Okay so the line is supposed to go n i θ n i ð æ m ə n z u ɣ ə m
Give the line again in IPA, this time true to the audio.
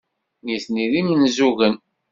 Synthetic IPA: n i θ n i ð i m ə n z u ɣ ə n